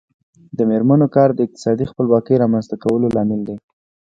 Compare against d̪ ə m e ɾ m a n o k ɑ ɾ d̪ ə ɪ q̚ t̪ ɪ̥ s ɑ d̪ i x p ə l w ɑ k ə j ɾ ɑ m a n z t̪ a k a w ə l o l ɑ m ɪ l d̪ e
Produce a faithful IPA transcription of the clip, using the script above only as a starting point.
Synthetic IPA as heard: d̪ ə m e ɾ m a n o k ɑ ɾ d̪ ə ɪ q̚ t̪ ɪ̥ s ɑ d̪ i x p ə l w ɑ k ə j ɾ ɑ m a n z t̪ a k a w ə l o l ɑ m ɪ l d̪ e